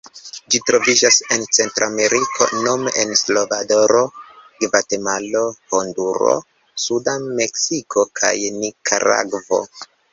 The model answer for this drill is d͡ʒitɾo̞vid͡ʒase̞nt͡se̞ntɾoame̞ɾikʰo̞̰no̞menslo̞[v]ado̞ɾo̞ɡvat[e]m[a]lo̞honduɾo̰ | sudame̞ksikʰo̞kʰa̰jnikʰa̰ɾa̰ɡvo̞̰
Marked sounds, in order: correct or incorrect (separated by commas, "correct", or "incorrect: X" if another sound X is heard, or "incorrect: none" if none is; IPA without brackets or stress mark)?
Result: correct, correct, correct